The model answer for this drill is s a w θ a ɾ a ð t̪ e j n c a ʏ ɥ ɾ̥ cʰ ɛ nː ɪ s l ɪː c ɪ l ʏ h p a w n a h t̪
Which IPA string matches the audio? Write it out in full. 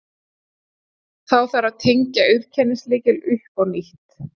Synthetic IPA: θ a w θ a ɾ a ð t̪ʰ e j ɲ c a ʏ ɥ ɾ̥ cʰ ɛ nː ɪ s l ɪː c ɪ l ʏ h p a w n i h t̪